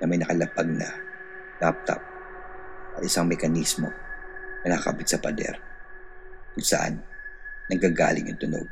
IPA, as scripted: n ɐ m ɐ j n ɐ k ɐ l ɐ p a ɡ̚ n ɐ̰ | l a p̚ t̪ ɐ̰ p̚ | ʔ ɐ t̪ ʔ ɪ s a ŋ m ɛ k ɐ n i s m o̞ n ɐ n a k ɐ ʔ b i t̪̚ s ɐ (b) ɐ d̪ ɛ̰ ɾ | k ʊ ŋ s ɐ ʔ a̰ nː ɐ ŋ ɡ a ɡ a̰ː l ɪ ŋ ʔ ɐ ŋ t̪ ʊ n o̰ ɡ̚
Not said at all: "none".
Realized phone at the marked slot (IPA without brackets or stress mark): p